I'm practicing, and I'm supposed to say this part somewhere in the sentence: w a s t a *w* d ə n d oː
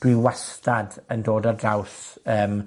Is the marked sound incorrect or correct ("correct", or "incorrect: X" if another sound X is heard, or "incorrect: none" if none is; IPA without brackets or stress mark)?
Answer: incorrect: none